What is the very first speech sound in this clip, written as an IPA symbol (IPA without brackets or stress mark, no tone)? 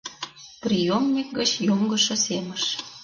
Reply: p